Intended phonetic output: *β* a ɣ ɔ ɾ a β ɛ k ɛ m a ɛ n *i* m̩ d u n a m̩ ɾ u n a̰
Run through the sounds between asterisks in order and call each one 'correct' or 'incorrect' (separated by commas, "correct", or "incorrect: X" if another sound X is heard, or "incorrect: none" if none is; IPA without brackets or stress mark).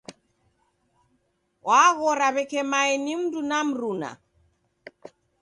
incorrect: w, correct